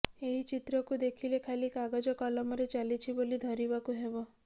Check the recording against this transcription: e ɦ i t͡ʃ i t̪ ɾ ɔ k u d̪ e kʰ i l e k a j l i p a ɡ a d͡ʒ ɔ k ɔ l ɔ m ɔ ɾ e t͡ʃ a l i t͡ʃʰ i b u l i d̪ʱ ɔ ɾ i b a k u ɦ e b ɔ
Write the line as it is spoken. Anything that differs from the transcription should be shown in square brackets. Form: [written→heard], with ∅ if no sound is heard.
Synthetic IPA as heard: e ɦ i t͡ʃ i t̪ ɾ ɔ k u d̪ e kʰ i l e [k→kʰ] a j l i [p→k] a ɡ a d͡ʒ ɔ k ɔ l ɔ m ɔ ɾ e t͡ʃ a l i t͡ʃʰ i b [u→o] l i d̪ʱ ɔ ɾ i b a k u ɦ e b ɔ